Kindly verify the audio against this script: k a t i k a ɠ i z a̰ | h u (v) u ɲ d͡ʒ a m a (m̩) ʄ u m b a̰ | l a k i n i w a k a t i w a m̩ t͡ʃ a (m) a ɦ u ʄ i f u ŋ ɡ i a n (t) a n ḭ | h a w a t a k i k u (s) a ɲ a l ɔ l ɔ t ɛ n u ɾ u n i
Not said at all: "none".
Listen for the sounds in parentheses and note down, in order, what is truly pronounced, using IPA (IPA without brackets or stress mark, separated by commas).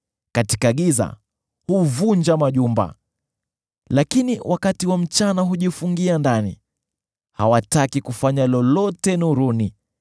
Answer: v, none, n, d, f